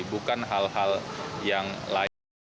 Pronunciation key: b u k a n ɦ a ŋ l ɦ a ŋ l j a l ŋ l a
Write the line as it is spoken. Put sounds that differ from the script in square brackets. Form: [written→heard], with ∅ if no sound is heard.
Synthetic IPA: b u k a n ɦ a [ŋ→∅] l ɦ a [ŋ→∅] l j a [l→∅] ŋ l a